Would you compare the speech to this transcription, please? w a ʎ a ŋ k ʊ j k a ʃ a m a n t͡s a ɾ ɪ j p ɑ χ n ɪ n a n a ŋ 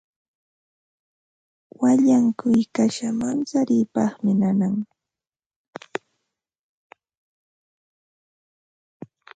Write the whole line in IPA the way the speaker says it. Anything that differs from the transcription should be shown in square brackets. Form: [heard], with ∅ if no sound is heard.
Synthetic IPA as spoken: w a ʎ a ŋ k ʊ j k a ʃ a m a n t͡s a ɾ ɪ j p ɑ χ [m] ɪ n a n a ŋ